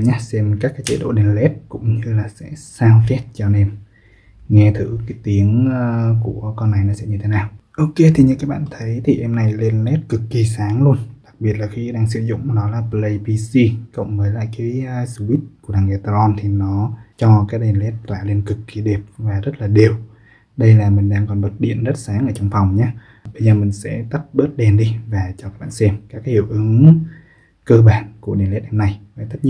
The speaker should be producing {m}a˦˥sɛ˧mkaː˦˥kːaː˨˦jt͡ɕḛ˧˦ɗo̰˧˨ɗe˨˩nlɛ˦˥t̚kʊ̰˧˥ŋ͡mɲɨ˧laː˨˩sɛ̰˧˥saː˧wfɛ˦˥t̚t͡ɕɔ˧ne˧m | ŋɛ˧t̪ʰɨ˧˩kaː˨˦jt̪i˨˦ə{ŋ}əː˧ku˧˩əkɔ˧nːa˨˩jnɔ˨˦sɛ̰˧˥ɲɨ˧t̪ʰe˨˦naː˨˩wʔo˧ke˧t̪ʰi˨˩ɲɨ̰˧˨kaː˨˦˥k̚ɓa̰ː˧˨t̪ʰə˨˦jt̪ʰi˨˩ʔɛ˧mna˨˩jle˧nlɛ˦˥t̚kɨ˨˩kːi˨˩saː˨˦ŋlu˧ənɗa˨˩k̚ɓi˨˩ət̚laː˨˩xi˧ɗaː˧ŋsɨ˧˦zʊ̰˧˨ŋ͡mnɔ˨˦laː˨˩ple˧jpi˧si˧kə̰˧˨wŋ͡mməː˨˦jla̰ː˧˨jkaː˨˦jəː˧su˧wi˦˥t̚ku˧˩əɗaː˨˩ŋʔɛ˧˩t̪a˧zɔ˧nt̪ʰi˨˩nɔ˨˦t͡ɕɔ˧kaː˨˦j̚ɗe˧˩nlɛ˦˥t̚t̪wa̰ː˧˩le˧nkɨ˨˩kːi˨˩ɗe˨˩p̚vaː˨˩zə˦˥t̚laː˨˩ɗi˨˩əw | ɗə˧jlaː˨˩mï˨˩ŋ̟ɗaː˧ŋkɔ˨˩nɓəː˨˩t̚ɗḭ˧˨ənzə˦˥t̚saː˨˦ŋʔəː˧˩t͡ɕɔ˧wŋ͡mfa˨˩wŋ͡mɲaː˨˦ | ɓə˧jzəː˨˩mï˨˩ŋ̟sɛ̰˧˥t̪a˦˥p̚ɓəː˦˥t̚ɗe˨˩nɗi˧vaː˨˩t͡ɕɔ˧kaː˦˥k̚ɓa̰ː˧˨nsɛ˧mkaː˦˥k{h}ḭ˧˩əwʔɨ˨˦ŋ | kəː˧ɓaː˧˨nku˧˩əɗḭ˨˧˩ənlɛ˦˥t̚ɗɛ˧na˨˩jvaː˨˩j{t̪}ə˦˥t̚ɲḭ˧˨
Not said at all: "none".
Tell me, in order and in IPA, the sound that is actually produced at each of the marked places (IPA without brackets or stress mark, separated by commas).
ɲ, ŋ, h, t̪